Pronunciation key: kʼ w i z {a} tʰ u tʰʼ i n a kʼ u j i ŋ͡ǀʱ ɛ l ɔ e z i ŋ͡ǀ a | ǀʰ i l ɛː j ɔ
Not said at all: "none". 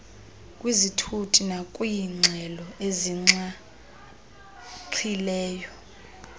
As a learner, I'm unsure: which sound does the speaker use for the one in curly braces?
i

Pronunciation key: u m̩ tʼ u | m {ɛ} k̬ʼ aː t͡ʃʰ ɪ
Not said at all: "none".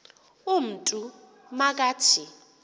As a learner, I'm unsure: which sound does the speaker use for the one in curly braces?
a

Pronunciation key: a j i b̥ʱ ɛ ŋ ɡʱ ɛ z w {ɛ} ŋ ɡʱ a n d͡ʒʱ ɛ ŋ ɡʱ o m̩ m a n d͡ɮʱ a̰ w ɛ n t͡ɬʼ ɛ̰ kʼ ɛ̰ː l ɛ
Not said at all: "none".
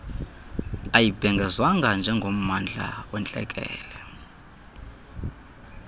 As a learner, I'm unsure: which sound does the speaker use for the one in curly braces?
a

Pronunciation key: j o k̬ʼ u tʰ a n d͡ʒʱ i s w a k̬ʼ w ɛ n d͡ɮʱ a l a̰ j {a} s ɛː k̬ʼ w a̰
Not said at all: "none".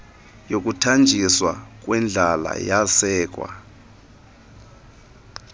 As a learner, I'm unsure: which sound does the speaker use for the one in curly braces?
a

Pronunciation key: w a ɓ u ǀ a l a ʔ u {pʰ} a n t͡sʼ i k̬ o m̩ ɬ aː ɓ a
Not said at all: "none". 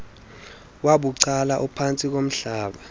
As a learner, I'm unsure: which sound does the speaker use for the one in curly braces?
pʰ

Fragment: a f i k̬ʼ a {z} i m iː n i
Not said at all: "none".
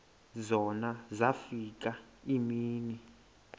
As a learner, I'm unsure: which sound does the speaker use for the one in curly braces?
none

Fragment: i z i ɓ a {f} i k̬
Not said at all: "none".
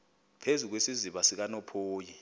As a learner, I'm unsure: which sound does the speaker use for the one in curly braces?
s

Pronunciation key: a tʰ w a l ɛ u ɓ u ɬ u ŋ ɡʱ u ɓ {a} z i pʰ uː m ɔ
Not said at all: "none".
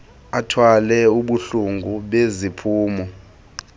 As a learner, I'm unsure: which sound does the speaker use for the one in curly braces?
e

